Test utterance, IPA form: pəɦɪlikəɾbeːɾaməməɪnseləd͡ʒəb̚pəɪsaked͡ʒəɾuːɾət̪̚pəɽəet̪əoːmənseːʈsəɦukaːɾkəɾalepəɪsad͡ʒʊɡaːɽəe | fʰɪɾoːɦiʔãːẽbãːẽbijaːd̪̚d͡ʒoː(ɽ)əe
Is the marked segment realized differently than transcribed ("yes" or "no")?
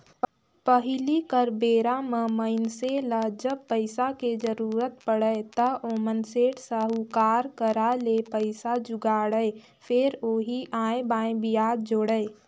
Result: no